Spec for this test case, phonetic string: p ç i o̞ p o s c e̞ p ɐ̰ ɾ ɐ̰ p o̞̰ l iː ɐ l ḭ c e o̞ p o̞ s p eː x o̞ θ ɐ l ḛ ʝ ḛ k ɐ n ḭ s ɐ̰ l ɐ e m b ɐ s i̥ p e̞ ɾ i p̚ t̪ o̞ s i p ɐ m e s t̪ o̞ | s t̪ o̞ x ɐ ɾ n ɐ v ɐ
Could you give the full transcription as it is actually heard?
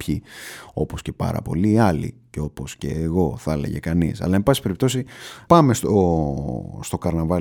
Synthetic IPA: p ç i o̞ p o s c e̞ p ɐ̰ ɾ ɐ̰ p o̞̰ l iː ɐ l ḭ c e o̞ p o̞ s c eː ɣ o̞ θ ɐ l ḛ ʝ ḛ k ɐ n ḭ s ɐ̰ l ɐ e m b ɐ s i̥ p e̞ ɾ i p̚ t̪ o̞ s i p ɐ m e s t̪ o̞ | s t̪ o̞ k ɐ ɾ n ɐ v ɐ